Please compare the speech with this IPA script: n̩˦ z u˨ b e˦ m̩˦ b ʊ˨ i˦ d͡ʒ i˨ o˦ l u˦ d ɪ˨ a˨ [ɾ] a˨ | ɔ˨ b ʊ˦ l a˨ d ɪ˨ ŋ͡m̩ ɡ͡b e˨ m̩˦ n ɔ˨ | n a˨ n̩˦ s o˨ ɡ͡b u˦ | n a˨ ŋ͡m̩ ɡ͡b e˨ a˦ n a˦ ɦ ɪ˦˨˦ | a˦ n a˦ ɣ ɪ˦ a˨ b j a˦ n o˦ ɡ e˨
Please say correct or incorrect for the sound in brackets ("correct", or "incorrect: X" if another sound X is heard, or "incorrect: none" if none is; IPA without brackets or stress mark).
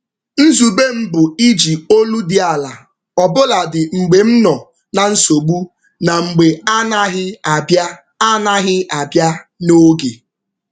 incorrect: l